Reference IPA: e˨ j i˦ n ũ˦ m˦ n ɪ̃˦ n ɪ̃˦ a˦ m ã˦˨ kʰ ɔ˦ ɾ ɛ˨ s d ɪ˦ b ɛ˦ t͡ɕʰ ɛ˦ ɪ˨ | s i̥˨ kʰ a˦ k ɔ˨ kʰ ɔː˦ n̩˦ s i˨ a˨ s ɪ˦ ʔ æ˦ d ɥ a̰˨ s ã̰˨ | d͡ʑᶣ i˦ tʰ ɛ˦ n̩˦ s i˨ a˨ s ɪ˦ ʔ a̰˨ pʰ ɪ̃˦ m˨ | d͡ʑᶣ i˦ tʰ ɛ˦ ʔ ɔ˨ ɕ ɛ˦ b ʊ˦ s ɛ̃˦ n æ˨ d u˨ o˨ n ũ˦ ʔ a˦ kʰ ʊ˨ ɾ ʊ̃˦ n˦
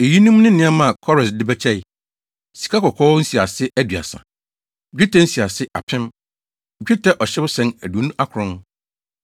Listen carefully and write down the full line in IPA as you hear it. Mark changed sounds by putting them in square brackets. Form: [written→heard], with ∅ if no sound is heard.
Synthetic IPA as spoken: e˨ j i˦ n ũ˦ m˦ n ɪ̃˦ n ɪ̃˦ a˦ m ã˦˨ kʰ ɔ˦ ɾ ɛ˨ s d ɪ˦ b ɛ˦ t͡ɕʰ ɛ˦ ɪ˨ | s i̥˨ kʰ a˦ k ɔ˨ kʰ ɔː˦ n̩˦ s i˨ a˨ s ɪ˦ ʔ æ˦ d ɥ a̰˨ s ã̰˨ | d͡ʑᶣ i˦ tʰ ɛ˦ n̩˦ s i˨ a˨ s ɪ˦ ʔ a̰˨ pʰ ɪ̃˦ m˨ | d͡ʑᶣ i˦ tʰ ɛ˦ ʔ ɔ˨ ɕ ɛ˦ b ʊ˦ s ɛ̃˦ n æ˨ d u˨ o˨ n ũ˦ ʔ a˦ kʰ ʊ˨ ɾ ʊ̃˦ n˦

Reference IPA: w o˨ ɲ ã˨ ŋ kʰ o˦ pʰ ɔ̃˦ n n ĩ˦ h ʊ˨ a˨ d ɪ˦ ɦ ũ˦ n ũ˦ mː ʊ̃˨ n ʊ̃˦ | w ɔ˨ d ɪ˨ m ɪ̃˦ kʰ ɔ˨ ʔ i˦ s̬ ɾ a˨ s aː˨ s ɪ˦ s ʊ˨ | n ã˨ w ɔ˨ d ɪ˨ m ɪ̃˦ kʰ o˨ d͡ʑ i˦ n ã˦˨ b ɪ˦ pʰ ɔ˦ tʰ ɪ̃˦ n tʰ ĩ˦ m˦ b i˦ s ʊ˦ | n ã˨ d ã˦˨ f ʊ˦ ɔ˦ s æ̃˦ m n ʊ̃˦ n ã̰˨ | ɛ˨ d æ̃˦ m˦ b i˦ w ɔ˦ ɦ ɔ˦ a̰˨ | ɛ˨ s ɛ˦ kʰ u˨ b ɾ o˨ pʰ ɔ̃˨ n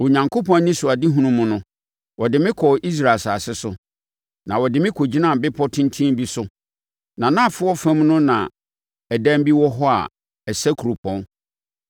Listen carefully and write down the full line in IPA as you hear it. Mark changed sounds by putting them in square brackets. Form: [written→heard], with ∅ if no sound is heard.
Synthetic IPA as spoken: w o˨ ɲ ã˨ ŋ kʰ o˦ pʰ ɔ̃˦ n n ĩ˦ [h→s] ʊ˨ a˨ d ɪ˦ ɦ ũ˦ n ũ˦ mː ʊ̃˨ n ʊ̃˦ | w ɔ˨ d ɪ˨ m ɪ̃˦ kʰ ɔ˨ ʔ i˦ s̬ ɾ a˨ s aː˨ s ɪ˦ s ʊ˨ | n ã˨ w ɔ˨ d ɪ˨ m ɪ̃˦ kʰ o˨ d͡ʑ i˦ n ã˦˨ b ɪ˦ pʰ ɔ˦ tʰ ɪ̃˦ n tʰ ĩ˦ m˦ b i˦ s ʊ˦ | n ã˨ [d→n] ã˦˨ f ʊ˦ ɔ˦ [s→f] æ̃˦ m n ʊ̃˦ n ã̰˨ | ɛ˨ d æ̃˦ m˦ b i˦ w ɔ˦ ɦ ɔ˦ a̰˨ | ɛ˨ s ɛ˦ kʰ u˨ [b→∅] ɾ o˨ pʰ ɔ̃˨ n

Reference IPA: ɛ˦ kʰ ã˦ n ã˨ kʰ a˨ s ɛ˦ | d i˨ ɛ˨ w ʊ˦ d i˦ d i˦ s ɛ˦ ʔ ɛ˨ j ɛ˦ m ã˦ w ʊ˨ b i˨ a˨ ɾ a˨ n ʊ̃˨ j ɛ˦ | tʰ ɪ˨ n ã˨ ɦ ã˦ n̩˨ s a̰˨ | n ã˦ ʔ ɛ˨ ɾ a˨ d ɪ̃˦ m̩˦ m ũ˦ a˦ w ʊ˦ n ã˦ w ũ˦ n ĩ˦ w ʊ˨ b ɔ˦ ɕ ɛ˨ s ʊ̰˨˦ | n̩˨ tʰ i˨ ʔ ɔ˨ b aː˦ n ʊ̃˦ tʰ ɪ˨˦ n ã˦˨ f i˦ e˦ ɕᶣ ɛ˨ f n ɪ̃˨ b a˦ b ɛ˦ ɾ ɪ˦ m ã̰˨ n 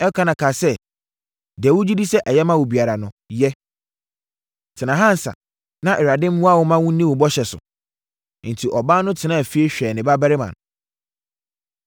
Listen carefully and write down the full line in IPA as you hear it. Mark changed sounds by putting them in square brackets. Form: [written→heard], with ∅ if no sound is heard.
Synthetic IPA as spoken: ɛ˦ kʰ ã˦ n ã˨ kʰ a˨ s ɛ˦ | d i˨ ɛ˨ w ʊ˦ [d→d͡ʑ] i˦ d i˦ s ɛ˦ ʔ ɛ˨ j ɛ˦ m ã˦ w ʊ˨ b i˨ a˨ ɾ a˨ n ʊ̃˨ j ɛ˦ | tʰ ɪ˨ n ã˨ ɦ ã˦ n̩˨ s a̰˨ | n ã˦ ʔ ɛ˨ ɾ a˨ d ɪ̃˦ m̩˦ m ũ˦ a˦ w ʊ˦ [n→m] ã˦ w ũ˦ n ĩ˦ w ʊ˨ b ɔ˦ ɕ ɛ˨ s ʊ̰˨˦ | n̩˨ tʰ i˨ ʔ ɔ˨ b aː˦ n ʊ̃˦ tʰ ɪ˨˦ n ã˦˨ f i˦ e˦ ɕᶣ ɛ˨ [f→∅] n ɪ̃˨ b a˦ b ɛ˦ ɾ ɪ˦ m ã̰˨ n

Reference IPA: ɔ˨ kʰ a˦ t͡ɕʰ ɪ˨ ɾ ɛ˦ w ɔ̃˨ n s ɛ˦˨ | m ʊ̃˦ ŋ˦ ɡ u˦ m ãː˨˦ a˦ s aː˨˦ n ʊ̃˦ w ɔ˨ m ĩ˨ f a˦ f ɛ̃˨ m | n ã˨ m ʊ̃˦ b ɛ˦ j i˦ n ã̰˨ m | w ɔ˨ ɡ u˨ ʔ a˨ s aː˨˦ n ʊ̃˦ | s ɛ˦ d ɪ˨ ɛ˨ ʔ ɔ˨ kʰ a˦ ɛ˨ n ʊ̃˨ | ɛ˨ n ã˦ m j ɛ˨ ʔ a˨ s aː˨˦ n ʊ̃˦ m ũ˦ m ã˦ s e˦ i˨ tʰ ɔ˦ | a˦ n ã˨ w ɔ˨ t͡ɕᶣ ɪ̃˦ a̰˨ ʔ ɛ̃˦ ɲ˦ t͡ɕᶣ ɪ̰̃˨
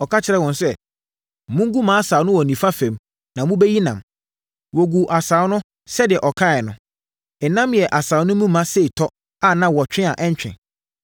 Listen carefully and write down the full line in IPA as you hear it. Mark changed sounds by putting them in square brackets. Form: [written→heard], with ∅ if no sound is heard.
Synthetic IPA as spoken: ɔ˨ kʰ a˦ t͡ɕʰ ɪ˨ ɾ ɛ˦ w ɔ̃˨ n s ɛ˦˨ | m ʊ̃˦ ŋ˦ ɡ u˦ m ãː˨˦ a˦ s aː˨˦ n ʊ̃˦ w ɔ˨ [m→n] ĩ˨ f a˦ f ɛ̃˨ m | n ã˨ m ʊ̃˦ b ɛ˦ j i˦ n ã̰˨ m | w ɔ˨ ɡ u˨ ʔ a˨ s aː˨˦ n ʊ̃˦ | s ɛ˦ d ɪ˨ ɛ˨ ʔ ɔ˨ kʰ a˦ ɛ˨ n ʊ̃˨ | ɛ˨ n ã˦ m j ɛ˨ ʔ a˨ s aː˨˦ n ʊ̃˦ m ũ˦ m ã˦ s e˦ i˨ tʰ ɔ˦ | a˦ n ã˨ w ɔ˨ t͡ɕᶣ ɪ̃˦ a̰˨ ʔ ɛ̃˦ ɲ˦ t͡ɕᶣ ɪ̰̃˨

